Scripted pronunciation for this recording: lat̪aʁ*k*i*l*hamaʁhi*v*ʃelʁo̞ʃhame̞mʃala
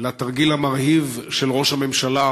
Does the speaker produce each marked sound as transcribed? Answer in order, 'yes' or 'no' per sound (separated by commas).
no, yes, yes